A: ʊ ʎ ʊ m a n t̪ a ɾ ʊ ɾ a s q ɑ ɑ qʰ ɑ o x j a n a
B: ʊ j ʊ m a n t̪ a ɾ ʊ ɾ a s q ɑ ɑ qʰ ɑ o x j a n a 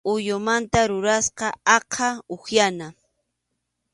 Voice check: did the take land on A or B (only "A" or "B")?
B